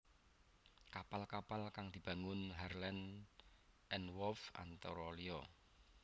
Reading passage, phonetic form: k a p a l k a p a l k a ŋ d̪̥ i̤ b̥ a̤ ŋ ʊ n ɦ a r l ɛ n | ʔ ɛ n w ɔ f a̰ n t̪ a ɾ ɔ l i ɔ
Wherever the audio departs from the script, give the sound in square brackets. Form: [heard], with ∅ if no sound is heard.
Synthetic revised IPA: k a p a l k a p a l k a ŋ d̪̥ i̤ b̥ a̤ ŋ ʊ n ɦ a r l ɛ n | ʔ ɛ n w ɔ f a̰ n t̪ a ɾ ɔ l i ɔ